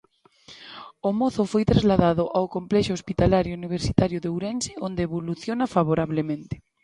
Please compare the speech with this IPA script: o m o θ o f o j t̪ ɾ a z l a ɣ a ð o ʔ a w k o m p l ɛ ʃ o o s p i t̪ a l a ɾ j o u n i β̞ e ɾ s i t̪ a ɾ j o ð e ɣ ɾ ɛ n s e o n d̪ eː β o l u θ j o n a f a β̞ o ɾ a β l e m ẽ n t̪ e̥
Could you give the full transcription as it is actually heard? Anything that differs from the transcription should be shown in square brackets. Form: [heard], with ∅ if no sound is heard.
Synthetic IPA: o m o θ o f o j t̪ ɾ a z l a [ð] a ð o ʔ a w k o m p l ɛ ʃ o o s p i t̪ a l a ɾ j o u n i β̞ e ɾ s i t̪ a ɾ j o ð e [w] ɾ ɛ n s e o n d̪ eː β o l u θ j o n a f a β̞ o ɾ a β l e m ẽ n t̪ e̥